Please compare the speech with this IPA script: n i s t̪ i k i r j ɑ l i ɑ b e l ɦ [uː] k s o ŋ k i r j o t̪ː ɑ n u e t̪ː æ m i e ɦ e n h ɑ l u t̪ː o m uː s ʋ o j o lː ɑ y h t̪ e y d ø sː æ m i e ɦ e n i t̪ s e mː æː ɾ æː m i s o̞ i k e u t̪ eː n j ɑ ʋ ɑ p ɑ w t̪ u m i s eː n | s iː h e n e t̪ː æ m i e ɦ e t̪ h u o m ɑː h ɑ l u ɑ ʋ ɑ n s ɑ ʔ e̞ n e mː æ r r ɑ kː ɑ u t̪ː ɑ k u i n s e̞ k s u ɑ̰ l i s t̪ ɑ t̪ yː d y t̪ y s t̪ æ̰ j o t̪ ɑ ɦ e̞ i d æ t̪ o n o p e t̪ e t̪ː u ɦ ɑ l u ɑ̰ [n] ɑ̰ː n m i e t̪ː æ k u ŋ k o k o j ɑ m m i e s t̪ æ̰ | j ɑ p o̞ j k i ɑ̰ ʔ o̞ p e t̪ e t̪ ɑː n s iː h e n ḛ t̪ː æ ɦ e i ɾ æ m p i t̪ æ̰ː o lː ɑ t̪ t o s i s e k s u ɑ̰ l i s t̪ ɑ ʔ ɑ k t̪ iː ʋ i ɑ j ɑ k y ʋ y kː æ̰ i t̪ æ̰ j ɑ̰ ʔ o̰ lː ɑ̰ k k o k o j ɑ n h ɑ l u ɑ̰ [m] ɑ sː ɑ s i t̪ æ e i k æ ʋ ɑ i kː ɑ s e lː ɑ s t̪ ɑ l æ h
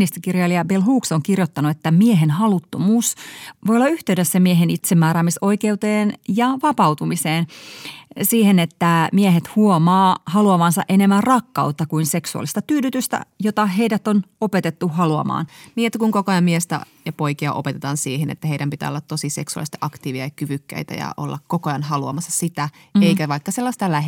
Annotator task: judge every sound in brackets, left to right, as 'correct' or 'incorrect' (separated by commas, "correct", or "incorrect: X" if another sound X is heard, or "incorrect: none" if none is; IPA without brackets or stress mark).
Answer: correct, incorrect: m, correct